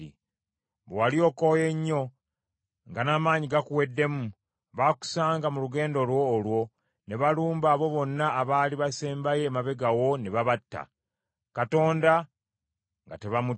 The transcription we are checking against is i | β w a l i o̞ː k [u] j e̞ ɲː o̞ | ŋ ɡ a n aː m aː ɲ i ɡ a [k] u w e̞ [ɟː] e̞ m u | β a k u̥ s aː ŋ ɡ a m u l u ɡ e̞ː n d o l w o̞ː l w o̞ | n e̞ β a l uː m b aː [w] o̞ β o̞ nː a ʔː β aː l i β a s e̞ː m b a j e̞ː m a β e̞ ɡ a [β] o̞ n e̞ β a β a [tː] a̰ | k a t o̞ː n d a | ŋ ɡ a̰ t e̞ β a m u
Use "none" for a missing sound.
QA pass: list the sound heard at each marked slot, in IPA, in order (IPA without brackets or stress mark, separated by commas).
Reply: o, k, dː, β, w, tː